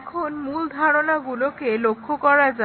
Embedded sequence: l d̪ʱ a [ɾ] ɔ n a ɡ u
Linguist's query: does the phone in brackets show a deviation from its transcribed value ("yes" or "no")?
yes